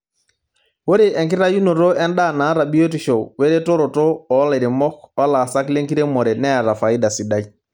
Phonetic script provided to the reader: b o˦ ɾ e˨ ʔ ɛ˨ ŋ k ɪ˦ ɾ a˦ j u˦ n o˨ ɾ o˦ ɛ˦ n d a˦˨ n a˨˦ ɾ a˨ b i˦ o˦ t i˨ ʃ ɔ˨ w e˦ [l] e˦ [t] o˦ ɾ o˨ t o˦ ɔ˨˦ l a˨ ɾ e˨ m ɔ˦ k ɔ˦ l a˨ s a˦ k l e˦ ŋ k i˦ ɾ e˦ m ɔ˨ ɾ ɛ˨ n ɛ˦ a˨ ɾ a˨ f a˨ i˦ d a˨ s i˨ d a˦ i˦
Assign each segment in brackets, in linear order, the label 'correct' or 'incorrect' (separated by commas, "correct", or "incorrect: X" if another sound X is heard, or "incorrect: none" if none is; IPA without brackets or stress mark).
incorrect: ɾ, correct